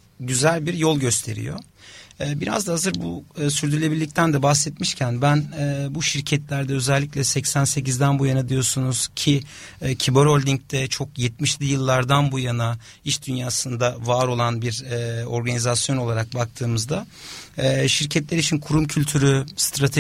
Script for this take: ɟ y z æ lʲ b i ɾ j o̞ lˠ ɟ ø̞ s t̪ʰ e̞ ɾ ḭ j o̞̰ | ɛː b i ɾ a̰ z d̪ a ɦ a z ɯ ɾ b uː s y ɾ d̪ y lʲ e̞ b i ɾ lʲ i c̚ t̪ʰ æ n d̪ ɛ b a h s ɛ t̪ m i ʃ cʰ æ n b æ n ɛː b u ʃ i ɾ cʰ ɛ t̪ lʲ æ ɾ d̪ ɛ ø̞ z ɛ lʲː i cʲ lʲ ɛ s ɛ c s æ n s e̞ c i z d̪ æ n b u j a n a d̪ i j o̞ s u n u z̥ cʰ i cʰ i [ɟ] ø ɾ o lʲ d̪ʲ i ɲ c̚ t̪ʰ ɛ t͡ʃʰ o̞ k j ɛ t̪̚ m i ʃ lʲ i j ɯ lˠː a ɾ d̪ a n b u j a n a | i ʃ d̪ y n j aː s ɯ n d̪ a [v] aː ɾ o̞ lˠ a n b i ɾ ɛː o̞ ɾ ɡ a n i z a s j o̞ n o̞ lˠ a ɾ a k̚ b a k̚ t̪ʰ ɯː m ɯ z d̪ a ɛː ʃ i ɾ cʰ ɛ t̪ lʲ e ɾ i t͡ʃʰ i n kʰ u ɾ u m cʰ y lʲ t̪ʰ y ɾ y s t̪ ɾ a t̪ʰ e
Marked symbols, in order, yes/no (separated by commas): no, yes